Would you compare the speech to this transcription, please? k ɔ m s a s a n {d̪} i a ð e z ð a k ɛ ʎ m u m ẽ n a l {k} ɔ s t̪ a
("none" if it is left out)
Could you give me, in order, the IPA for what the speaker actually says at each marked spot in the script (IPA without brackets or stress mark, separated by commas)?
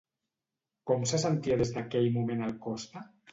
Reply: t̪, k